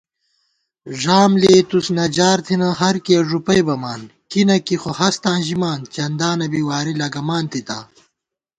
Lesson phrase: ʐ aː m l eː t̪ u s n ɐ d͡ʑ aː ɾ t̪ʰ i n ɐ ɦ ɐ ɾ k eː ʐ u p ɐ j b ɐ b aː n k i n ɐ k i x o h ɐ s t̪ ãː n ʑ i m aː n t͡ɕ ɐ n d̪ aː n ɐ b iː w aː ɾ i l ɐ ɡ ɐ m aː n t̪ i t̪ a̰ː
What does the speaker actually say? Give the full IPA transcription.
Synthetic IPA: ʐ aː m l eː t̪ u s n ɐ d͡ʑ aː ɾ t̪ʰ i n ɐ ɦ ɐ ɾ k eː ʐ u p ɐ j b ɐ m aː n k i n ɐ k i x o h ɐ s t̪ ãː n ʑ i m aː n t͡ɕ ɐ n d̪ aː n ɐ b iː w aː ɾ i l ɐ ɡ ɐ m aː n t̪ i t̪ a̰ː